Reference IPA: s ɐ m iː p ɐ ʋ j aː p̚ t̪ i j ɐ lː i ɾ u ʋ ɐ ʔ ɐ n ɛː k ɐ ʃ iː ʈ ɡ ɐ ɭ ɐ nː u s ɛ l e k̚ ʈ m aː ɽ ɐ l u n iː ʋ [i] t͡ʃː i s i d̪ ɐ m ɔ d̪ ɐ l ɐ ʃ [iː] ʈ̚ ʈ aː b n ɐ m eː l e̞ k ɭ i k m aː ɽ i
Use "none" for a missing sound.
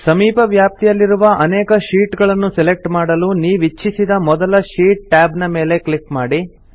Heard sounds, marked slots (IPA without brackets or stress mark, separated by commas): i, iː